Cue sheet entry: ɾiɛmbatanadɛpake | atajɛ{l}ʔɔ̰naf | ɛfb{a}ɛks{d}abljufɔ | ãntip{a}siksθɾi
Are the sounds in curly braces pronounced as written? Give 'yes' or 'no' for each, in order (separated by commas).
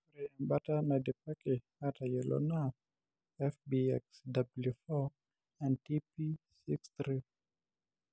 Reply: yes, no, yes, no